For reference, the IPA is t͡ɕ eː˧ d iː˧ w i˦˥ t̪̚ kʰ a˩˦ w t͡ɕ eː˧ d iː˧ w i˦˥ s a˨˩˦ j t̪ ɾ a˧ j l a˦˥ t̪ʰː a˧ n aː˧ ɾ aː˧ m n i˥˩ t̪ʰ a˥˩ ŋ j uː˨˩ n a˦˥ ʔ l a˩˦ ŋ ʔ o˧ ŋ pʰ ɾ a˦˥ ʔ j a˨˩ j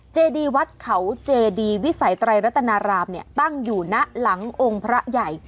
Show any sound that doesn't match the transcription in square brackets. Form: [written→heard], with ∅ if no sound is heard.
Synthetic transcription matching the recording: t͡ɕ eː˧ d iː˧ w [i˦˥→a˦˥] t̪̚ kʰ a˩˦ w t͡ɕ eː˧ d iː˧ w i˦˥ s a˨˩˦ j t̪ ɾ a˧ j [l→ɾ] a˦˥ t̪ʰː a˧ n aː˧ ɾ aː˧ m n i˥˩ [t̪ʰ→t̪] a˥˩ ŋ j uː˨˩ n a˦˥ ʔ l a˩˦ ŋ ʔ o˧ ŋ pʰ ɾ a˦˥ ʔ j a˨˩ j